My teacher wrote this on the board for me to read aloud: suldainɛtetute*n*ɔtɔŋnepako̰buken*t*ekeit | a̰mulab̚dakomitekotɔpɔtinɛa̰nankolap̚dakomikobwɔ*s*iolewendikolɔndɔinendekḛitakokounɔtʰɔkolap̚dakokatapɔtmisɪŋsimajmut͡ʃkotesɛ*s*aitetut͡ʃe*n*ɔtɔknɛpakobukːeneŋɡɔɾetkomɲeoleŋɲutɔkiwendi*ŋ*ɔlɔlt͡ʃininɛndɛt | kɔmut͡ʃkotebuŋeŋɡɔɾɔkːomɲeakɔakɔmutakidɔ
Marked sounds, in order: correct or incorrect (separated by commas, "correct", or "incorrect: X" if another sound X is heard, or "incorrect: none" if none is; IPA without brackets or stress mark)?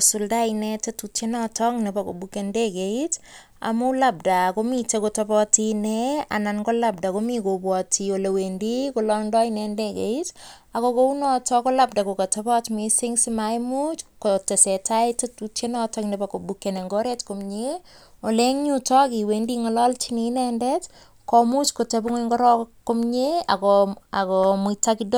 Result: correct, incorrect: d, incorrect: t, incorrect: t, correct, correct